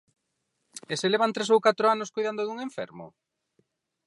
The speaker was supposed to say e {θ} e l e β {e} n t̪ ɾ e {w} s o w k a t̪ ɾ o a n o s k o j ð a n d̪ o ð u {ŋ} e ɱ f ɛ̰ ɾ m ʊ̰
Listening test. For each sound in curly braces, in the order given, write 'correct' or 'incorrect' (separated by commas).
incorrect, incorrect, incorrect, correct